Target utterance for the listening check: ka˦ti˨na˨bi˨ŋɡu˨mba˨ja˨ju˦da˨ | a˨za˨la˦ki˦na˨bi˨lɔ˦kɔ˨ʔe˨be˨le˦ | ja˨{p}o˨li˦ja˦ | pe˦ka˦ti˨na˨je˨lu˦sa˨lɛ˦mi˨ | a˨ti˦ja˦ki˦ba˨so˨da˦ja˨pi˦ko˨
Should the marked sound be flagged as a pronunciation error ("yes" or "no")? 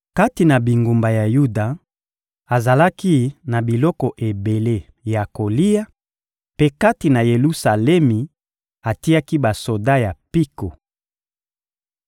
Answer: yes